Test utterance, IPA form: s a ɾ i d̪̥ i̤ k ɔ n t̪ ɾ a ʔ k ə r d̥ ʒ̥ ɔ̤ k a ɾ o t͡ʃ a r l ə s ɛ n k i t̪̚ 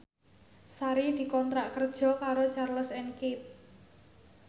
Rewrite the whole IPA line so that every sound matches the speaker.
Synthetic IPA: s a ɾ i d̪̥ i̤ k ɔ n t̪ ɾ a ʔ k ə r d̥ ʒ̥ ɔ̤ k a ɾ o t͡ʃ a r l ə s ɛ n k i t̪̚

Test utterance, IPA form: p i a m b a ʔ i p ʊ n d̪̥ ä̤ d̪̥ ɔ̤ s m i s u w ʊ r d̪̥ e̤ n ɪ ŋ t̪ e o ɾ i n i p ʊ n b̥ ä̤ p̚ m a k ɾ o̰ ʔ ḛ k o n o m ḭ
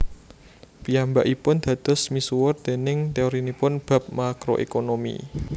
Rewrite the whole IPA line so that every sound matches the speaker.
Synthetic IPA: p i a m b a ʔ i p ʊ n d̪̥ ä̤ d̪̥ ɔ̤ s m i s u w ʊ r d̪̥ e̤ n ɪ ŋ t̪ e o ɾ i n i p ʊ n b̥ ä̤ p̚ m a k ɾ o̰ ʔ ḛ k o n o m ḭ

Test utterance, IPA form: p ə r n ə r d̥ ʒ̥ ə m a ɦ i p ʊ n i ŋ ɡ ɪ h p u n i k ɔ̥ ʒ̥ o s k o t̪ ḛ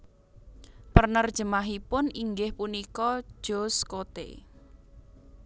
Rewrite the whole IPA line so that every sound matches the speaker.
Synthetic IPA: p ə r n ə r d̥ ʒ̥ ə m a ɦ i p ʊ n i ŋ ɡ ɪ h p u n i k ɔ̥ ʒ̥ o s k o t̪ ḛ

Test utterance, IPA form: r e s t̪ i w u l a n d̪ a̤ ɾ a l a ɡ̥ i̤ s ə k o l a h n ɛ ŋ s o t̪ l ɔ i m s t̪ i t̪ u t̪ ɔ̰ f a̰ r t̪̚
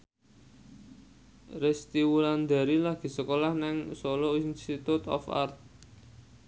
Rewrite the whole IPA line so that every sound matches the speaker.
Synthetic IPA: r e s t̪ i w u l a n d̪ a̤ ɾ i l a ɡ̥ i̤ s ə k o l a h n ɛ ŋ s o l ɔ i n s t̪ i t̪ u t̪ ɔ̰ f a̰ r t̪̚

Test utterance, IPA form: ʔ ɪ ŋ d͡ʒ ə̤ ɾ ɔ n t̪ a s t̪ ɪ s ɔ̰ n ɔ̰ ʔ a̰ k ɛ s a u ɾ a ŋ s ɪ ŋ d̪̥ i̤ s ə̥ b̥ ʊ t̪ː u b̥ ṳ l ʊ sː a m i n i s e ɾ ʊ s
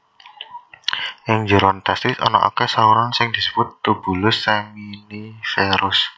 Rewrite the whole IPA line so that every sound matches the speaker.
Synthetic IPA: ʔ ɪ ŋ d͡ʒ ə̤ ɾ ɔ n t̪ a s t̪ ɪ s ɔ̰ n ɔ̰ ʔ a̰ k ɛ s a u ɾ a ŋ s ɪ ŋ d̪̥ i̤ s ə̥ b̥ ʊ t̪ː u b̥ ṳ l ʊ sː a m i n i f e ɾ ʊ s

